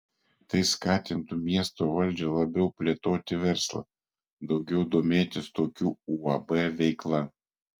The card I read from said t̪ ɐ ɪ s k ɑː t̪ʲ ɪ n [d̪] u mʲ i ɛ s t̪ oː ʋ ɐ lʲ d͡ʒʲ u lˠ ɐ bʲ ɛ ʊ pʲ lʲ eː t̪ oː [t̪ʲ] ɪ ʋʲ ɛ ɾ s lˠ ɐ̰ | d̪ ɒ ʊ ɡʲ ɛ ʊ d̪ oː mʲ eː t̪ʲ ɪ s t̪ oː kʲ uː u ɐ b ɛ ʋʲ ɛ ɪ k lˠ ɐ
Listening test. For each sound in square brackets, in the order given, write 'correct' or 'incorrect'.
incorrect: t̪, correct

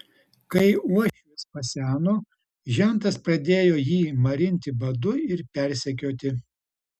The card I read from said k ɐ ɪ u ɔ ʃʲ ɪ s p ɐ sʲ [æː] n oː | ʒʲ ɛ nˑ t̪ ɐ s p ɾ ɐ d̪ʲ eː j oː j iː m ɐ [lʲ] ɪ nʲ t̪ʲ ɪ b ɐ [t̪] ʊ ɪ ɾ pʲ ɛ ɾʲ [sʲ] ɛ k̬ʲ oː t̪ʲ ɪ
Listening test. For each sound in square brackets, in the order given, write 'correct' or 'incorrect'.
correct, incorrect: ɾʲ, incorrect: d̪, correct

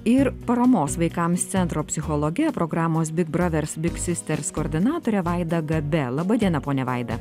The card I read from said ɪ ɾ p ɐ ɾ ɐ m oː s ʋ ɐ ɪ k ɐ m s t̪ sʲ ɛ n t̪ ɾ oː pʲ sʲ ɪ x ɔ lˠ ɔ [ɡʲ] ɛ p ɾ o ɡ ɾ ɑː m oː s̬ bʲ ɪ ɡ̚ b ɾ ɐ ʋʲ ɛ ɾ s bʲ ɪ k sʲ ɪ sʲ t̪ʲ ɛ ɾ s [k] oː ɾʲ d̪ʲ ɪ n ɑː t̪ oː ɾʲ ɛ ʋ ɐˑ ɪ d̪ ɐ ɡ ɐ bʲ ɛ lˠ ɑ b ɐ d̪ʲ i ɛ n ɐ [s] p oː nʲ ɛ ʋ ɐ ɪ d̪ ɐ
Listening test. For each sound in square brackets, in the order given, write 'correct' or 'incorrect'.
correct, correct, incorrect: none

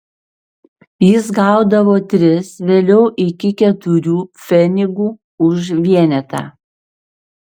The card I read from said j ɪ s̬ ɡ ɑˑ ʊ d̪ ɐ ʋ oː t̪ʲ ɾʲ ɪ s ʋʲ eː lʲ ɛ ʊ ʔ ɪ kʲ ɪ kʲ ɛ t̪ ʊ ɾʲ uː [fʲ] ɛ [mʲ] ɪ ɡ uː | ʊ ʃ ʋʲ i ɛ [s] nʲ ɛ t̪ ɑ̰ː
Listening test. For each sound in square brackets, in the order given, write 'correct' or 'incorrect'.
correct, incorrect: nʲ, incorrect: none

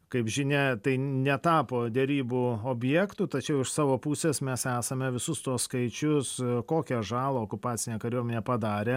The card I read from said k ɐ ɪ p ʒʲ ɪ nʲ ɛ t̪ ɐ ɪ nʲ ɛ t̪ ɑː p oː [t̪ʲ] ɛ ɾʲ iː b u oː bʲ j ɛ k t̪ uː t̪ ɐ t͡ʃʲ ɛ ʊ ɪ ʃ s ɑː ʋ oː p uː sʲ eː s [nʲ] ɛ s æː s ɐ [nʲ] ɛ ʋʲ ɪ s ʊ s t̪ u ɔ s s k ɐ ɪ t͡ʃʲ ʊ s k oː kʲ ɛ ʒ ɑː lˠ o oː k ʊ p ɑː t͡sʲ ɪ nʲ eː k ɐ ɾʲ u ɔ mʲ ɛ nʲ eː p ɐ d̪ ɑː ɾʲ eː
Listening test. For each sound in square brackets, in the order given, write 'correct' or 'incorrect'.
incorrect: d̪ʲ, incorrect: mʲ, incorrect: mʲ

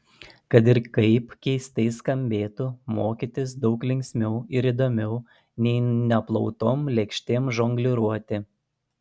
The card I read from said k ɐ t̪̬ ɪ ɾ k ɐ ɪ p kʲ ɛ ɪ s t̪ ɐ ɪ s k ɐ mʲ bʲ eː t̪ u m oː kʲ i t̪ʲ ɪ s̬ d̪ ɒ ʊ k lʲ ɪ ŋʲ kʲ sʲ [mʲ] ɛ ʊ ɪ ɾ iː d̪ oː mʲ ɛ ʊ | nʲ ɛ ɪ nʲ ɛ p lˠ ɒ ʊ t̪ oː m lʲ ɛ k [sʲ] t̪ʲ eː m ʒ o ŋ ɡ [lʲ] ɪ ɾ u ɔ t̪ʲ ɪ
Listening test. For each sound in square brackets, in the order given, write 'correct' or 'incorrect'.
correct, incorrect: ʃʲ, correct

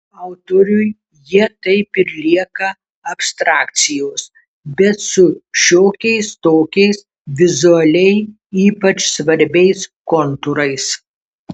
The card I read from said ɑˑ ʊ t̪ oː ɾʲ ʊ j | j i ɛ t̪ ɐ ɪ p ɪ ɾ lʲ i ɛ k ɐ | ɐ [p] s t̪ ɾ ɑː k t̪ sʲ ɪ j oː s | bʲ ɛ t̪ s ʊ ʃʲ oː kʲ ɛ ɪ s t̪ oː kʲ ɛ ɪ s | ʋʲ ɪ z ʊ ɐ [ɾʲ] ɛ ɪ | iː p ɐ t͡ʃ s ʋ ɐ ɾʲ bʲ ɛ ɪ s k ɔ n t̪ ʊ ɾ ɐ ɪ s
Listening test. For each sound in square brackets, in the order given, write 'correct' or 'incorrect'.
correct, incorrect: lʲ

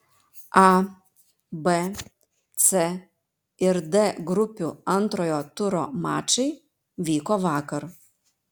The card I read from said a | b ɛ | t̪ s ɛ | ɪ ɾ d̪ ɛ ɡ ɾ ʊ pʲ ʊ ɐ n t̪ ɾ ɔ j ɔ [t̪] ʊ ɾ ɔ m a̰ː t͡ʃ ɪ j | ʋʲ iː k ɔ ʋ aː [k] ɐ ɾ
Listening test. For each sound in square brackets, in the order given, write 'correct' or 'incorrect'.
correct, correct

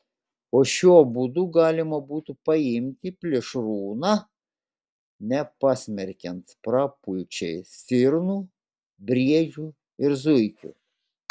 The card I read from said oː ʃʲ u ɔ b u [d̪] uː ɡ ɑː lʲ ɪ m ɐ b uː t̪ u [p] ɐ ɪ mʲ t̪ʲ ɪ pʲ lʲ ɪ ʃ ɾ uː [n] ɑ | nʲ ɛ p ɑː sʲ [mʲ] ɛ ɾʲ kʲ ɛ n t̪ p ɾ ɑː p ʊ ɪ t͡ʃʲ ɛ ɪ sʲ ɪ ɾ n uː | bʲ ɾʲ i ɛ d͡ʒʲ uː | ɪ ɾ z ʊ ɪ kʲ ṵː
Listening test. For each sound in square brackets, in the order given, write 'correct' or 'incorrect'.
correct, correct, correct, correct

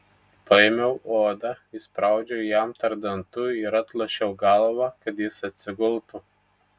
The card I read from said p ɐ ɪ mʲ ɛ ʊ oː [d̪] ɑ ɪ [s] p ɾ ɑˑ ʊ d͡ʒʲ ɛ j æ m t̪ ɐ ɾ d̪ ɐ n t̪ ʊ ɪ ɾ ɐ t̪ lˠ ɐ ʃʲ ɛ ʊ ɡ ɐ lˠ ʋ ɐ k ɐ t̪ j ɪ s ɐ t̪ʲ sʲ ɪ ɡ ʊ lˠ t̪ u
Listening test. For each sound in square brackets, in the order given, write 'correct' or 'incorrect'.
correct, correct

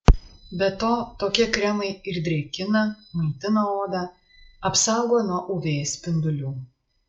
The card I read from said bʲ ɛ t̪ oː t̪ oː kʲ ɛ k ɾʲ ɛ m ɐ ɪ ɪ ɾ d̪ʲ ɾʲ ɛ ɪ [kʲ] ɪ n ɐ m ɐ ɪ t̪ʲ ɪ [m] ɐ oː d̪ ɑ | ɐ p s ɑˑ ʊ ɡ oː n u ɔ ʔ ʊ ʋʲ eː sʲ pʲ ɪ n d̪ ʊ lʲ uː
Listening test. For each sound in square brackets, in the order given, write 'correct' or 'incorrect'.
correct, incorrect: n

